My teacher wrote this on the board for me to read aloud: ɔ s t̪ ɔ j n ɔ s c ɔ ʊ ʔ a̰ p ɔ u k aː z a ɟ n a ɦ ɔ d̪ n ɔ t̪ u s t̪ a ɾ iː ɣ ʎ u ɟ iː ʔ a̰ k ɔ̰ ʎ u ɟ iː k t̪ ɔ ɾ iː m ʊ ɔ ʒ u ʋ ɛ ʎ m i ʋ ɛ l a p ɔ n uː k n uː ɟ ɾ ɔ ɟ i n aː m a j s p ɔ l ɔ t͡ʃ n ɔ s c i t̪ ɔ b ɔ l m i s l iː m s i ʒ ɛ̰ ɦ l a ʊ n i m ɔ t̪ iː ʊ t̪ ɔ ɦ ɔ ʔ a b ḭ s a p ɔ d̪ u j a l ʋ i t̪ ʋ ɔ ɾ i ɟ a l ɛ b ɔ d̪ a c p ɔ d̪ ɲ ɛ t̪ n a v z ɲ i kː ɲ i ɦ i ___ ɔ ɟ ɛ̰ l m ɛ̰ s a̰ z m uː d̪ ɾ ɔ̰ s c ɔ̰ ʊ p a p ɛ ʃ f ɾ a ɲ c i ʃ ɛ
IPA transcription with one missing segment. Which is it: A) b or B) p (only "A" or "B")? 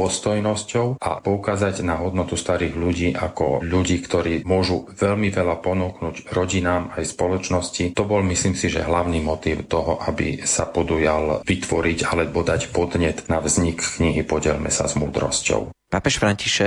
B